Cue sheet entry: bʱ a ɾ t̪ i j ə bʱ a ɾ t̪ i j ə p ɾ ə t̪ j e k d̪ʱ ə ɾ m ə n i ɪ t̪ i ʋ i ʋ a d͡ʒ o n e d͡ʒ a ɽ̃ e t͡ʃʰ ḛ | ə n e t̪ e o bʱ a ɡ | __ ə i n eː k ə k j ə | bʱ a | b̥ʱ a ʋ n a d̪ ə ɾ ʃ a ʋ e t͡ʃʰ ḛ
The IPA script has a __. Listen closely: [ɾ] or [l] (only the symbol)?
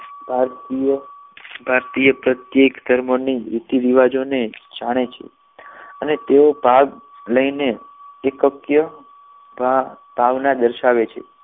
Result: l